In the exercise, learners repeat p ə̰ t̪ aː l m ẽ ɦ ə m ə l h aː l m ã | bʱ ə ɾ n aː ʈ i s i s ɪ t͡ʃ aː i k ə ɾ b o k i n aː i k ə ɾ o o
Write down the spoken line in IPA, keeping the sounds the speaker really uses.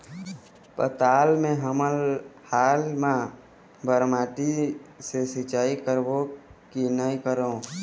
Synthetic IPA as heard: p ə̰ t̪ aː l m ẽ ɦ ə m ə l h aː l m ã | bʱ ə ɾ m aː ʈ i s e s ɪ t͡ʃ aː i k ə ɾ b o k i n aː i k ə ɾ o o

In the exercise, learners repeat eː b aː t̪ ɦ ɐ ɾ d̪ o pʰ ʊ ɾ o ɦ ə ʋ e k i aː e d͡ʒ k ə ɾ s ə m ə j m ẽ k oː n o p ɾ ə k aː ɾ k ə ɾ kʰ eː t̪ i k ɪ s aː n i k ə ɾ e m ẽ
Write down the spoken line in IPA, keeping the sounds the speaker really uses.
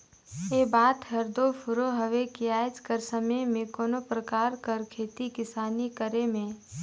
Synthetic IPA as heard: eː b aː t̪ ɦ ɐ ɾ d̪ o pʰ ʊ ɾ o ɦ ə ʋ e k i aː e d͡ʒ k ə ɾ s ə m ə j m ẽ k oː n o p ɾ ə k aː ɾ k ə ɾ kʰ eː t̪ i k ɪ s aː n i k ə ɾ e m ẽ

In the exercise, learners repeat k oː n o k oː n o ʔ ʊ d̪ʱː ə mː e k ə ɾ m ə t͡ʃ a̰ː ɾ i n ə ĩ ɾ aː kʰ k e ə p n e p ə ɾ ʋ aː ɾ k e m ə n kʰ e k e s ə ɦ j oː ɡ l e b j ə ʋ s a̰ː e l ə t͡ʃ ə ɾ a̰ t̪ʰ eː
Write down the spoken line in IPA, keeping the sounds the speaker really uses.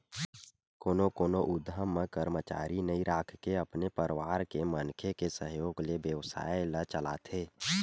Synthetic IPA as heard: k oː n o k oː n o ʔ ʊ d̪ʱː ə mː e k ə ɾ m ə t͡ʃ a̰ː ɾ i n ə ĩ ɾ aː kʰ k e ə p n e p ə ɾ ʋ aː ɾ k e m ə n kʰ e k e s ə ɦ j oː ɡ l e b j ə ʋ s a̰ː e l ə t͡ʃ ə l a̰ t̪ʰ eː

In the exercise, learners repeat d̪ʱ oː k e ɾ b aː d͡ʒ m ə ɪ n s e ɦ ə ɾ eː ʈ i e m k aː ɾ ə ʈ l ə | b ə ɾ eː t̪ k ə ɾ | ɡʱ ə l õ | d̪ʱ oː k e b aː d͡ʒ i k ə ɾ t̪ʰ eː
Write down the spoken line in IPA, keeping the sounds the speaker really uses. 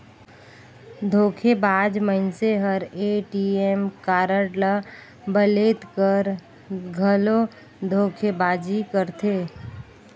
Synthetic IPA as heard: d̪ʱ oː kʰ e b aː d͡ʒ m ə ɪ n s e ɦ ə ɾ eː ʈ i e m k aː ɾ ə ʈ l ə | b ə l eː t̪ k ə ɾ | ɡʱ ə l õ | d̪ʱ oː kʰ e b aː d͡ʒ i k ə ɾ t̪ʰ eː

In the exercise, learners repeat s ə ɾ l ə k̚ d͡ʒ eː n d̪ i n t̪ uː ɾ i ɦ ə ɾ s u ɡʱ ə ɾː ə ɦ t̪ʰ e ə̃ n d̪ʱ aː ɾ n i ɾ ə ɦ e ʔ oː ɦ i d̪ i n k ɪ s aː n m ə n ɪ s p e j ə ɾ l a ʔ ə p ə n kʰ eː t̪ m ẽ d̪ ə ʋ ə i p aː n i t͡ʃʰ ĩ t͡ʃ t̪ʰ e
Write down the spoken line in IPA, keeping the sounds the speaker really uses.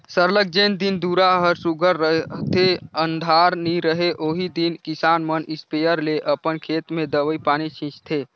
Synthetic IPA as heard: s ə ɾ l ə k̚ d͡ʒ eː n d̪ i n d̪ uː ɾ a ɦ ə ɾ s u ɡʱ ə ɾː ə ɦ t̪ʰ e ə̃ n d̪ʱ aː ɾ n i ɾ ə ɦ e ʔ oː ɦ i d̪ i n k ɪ s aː n m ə n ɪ s p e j ə ɾ l e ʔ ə p ə n kʰ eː t̪ m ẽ d̪ ə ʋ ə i p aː n i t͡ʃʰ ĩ t͡ʃ t̪ʰ e

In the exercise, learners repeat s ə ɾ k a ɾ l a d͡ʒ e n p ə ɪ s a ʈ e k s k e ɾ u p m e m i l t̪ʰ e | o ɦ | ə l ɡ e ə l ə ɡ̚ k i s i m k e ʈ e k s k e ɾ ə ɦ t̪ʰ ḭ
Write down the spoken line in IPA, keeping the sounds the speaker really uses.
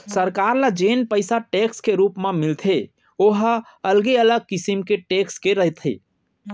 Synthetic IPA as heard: s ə ɾ k a ɾ l a d͡ʒ e n p ə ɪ s a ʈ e k s k e ɾ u p m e m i l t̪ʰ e | o ɦ | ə l ɡ e ə l ə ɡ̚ k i s i m k e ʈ e k s k e ɾ ə ɦ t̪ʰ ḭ

